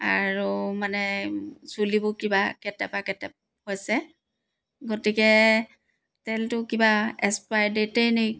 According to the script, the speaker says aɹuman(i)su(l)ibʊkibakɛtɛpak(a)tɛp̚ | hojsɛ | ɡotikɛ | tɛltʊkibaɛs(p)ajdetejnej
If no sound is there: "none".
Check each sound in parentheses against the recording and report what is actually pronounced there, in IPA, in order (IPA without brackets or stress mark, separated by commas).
ɛ, l, ɛ, p